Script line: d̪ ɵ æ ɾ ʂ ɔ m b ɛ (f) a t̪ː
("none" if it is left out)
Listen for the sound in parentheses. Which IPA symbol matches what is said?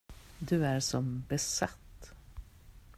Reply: s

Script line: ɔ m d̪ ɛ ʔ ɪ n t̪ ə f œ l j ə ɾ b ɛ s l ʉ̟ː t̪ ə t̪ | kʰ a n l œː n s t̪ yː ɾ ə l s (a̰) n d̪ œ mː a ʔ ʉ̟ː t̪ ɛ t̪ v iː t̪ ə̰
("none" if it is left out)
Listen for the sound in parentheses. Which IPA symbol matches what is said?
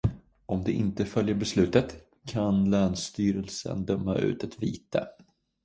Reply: ə̰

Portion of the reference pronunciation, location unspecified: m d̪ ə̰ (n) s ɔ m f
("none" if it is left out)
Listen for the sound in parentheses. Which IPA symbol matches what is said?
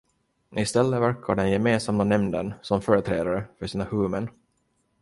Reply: n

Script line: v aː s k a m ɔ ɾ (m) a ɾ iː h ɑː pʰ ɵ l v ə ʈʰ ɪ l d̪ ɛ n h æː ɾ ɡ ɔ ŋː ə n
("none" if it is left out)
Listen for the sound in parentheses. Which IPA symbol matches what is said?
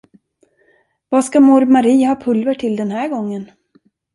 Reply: m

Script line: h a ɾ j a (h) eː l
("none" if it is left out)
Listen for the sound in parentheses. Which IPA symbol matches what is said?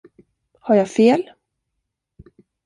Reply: f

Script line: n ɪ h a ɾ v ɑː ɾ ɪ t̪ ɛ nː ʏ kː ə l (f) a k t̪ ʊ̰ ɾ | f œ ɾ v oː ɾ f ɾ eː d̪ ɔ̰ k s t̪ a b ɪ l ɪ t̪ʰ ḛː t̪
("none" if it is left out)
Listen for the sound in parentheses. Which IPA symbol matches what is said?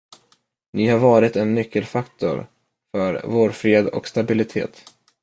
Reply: f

